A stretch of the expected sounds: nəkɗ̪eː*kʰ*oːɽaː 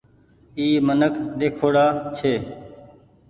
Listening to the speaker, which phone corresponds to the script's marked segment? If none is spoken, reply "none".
kʰ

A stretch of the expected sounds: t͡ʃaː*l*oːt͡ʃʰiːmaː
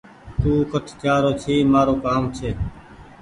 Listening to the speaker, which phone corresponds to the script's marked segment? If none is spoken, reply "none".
ɾ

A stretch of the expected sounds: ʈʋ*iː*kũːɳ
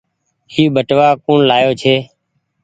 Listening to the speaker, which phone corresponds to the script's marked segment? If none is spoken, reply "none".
aː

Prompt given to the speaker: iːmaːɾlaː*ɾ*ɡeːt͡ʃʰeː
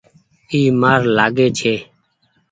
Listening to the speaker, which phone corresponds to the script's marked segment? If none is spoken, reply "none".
none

